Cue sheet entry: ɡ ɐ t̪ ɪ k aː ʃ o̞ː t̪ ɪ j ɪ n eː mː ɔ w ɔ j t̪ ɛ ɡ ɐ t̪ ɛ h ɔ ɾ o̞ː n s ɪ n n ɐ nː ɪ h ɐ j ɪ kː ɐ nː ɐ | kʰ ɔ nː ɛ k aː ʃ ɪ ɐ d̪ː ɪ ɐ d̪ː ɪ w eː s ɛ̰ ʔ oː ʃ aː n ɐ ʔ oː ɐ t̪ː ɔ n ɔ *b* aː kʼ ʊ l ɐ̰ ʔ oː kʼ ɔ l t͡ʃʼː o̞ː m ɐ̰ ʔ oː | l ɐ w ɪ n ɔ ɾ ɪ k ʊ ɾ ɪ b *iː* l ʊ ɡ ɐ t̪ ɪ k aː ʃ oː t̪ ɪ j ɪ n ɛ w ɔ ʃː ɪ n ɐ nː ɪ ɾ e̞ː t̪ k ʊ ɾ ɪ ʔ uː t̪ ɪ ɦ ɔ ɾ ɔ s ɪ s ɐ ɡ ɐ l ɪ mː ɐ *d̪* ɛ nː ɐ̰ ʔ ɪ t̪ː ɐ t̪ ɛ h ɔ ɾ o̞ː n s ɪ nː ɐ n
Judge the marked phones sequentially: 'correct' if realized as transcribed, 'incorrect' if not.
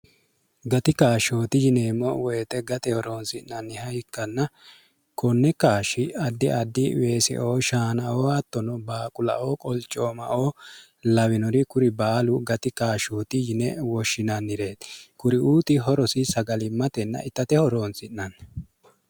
correct, incorrect, incorrect

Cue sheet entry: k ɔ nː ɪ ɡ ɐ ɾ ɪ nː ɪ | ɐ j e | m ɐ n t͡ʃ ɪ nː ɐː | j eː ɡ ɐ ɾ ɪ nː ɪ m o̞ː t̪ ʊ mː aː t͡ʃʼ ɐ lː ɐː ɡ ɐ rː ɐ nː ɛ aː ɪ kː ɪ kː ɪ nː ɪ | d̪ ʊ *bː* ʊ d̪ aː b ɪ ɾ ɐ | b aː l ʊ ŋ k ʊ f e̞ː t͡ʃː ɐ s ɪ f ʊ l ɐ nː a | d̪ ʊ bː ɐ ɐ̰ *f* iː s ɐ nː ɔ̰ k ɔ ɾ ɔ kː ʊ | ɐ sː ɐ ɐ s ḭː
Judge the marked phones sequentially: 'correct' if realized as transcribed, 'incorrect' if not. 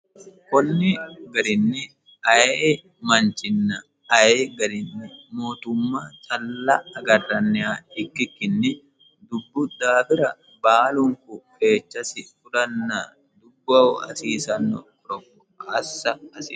correct, incorrect

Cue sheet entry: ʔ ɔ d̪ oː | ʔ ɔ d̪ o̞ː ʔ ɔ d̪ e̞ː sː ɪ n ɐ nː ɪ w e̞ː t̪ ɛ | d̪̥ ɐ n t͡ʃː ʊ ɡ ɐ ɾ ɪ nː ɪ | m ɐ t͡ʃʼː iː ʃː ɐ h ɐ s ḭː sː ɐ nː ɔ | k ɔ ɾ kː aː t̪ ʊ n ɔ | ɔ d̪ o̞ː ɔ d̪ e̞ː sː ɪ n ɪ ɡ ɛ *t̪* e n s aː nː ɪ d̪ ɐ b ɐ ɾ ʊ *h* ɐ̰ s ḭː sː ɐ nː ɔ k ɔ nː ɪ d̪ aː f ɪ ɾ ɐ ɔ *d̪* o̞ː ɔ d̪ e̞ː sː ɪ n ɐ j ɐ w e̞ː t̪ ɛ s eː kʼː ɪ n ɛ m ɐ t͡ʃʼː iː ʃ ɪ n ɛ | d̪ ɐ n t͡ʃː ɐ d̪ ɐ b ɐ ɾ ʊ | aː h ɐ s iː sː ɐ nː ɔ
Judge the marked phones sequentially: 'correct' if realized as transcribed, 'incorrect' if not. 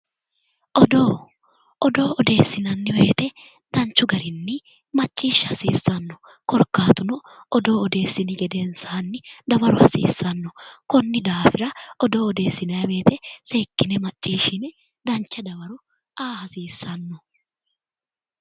incorrect, correct, correct

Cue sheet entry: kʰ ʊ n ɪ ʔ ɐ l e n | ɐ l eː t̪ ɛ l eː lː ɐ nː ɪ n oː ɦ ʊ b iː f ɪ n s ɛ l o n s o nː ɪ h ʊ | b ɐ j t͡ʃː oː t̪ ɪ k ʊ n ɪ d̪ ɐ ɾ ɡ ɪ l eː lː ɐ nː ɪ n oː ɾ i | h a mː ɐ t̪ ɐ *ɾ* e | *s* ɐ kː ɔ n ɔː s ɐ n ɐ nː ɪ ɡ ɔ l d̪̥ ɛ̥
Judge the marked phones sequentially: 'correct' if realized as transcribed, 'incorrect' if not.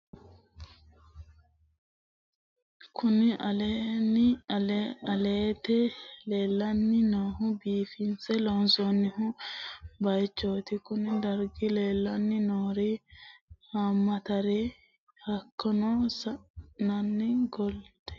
correct, incorrect

